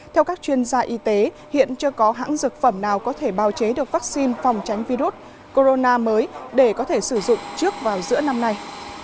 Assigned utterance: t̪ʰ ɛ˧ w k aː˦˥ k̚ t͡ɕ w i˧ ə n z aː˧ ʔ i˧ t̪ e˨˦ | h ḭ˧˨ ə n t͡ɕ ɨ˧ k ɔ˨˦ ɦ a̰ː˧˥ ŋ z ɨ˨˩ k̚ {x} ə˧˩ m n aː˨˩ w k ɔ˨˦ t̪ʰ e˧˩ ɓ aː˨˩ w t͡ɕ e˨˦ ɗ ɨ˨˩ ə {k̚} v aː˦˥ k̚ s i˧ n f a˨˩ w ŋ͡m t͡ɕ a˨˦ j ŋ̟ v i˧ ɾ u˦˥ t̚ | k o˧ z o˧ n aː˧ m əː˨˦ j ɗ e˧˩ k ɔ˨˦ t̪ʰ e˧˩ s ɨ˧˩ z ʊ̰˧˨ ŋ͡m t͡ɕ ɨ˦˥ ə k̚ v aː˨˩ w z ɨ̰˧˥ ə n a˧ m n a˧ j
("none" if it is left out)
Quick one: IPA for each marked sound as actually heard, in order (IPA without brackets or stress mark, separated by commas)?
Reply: f, k̚